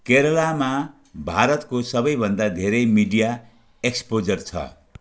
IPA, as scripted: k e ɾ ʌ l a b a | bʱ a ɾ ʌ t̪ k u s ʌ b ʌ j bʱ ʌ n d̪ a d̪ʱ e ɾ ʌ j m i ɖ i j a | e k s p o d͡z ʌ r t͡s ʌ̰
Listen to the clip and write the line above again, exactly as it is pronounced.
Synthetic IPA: k e ɾ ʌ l a m a | bʱ a ɾ ʌ t̪ k o s ʌ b ʌ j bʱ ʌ n d̪ a d̪ʱ e ɾ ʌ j m i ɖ i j a | e k s p o d͡z ʌ r t͡sʰ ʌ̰